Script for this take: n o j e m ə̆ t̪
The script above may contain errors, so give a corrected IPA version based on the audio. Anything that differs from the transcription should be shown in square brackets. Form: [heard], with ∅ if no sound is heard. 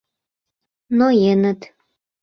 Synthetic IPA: n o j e [n] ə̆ t̪

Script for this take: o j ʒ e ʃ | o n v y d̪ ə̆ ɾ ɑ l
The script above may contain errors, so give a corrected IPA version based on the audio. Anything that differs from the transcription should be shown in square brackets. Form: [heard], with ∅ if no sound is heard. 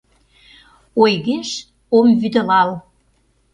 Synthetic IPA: o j [ɣ] e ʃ | o [m] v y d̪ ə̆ [l] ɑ l

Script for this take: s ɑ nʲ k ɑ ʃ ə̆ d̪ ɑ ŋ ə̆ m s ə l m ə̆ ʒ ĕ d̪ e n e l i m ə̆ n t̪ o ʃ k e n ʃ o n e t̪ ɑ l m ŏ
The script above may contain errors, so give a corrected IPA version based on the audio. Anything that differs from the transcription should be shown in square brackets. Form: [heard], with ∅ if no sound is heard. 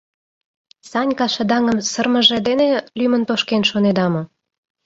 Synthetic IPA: s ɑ nʲ k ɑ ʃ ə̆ d̪ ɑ ŋ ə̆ m s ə [r] m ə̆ ʒ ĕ d̪ e n e l [y] m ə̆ n t̪ o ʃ k e n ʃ o n e [d̪] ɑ [∅] m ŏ

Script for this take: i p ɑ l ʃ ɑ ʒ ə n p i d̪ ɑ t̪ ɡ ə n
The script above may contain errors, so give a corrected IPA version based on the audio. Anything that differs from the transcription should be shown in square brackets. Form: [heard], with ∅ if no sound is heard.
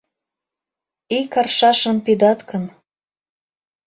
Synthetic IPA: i [k] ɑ [r] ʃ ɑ [ʃ] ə n p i d̪ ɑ t̪ [k] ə n

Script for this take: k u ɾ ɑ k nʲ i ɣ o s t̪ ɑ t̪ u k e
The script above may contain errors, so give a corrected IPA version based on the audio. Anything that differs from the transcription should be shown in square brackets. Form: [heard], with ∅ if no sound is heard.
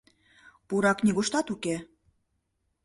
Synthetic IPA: [p] u ɾ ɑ k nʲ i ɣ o [ʃ] t̪ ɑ t̪ u k e

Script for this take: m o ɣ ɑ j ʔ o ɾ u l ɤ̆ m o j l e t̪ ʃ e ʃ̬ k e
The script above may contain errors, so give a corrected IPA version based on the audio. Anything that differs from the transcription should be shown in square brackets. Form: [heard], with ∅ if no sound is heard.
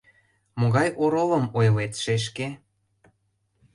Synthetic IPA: m o ɣ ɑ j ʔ o ɾ [o] l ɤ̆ m o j l e t̪ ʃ e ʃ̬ k e

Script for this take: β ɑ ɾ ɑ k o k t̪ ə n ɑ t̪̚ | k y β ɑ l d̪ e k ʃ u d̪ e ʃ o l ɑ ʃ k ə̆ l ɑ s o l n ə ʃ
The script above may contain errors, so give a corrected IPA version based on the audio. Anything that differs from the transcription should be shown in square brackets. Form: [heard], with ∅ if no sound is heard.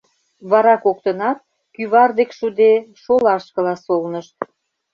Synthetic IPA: β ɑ ɾ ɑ k o k t̪ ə n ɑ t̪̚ | k y β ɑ [r] d̪ e k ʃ u d̪ e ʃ o l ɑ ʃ k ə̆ l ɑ s o l n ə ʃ

